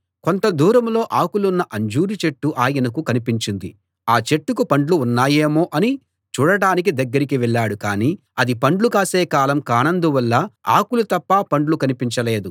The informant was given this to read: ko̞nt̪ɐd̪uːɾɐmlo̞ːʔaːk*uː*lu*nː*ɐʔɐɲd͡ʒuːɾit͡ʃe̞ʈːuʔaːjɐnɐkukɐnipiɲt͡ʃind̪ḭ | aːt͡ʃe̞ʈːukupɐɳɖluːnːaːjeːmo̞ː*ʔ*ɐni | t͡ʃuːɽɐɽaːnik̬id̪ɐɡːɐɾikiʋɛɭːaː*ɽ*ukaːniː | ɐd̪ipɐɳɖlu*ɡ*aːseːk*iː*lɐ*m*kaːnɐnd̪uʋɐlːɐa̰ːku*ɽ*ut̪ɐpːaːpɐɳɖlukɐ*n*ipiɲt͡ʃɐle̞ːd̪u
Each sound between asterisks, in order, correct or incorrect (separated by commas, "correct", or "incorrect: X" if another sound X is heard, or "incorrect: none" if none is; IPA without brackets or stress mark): incorrect: u, correct, correct, correct, incorrect: k, incorrect: aː, correct, incorrect: l, correct